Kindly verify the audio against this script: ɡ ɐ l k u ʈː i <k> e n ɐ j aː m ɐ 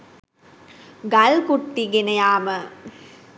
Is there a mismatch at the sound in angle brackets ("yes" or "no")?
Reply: yes